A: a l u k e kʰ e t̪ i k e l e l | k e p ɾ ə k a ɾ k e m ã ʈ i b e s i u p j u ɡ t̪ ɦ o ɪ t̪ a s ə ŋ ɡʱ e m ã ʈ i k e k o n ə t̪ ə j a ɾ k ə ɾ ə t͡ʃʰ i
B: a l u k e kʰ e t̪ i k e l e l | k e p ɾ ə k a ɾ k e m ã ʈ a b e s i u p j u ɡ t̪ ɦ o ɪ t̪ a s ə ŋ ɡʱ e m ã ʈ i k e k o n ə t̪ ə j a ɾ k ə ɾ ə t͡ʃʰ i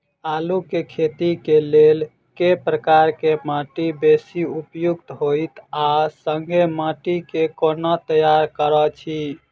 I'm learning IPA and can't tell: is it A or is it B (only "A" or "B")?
A